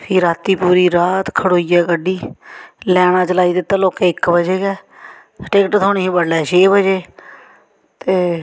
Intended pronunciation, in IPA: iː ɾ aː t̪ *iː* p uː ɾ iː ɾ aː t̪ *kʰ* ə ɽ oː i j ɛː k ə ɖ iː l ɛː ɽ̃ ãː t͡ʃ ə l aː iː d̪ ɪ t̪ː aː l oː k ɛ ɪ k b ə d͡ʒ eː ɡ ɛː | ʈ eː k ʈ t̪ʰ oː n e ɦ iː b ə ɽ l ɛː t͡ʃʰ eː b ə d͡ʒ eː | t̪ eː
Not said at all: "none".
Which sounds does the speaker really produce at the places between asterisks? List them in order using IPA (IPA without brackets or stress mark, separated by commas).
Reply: iː, kʰ